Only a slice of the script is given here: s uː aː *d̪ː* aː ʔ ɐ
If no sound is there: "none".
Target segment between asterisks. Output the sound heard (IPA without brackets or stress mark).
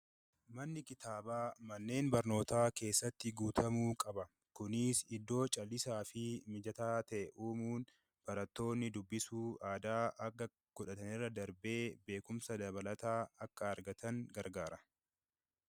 d̪